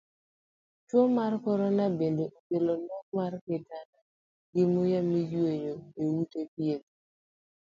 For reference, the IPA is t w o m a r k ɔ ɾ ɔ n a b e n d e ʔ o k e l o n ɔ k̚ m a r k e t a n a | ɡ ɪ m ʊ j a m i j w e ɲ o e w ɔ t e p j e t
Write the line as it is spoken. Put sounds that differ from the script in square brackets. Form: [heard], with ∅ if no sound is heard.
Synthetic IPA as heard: [t͡ʃ] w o m a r k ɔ ɾ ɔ n a b e n d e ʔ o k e l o n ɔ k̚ m a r k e t a n a | ɡ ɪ m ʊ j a m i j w e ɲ o e w [u] t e p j e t